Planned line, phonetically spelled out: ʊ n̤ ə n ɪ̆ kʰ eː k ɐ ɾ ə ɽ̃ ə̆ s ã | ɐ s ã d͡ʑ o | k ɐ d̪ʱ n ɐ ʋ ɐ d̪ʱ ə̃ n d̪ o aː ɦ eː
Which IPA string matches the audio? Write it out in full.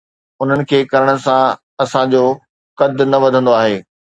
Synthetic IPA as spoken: ʊ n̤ ə n ɪ̆ kʰ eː k ɐ ɾ ə ɽ̃ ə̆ s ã | ɐ s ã d͡ʑ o | k ɐ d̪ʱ n ɐ ʋ ɐ d̪ʱ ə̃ n d̪ o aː ɦ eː